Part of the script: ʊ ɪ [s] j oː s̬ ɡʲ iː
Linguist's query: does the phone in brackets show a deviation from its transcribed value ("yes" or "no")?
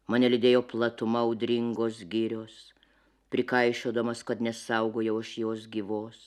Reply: yes